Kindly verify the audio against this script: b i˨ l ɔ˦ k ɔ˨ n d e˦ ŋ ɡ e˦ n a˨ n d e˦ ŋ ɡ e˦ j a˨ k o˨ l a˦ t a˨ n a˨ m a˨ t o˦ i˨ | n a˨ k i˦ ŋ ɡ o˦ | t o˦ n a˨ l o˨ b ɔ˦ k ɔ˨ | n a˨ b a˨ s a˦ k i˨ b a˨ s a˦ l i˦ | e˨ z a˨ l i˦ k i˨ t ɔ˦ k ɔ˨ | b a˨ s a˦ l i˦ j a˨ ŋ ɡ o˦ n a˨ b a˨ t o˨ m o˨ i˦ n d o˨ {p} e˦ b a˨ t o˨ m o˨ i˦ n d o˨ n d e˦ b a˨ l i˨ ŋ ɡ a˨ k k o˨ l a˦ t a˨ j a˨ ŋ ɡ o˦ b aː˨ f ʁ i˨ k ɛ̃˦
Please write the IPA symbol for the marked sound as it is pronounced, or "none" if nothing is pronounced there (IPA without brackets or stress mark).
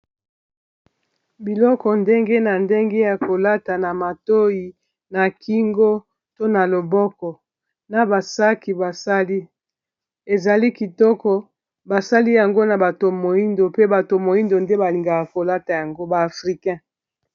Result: p